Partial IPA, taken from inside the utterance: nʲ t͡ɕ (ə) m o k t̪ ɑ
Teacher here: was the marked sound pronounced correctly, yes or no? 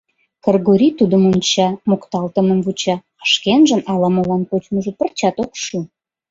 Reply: no